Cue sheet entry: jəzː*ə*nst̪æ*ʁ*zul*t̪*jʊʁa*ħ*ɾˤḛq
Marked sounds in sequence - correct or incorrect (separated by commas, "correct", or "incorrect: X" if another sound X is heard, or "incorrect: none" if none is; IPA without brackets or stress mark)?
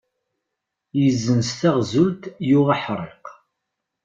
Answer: correct, correct, correct, correct